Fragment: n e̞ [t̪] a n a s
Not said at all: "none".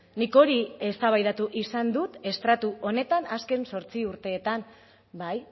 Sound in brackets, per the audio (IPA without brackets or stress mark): t̪